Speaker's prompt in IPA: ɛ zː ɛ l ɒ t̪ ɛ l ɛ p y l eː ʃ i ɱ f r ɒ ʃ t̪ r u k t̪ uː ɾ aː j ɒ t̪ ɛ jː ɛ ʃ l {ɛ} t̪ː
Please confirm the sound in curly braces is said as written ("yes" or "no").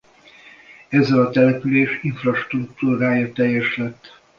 yes